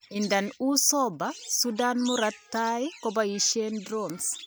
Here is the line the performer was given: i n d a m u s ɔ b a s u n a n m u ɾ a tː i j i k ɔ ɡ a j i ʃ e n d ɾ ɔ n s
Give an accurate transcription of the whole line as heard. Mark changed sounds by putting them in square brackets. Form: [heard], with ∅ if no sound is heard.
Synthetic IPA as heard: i n d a [n] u s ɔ b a s u [d] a n m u ɾ a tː [a] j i k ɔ [b] a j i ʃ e n d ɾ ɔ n s